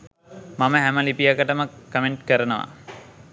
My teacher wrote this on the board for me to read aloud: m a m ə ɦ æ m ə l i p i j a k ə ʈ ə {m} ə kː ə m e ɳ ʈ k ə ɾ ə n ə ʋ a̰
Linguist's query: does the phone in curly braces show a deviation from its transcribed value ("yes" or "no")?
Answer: no